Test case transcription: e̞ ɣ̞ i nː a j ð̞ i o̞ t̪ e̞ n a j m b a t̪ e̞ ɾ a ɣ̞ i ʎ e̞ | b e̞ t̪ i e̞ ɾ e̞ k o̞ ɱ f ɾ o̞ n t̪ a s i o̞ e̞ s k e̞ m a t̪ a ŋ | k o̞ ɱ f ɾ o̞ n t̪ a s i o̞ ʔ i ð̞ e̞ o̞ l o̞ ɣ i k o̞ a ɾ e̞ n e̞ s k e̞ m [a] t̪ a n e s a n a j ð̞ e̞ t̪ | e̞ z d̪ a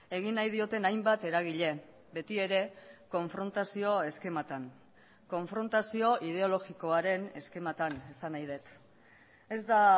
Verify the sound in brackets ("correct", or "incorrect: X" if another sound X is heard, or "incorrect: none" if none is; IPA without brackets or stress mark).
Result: correct